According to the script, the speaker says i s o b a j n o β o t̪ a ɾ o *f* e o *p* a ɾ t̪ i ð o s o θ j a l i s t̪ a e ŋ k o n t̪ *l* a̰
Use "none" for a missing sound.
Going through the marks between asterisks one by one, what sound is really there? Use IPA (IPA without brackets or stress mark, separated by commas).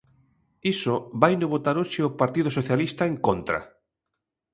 ʃ, p, ɾ